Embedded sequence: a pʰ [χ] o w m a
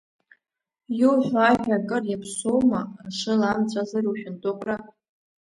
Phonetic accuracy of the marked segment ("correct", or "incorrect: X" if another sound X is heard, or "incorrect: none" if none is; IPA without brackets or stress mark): incorrect: s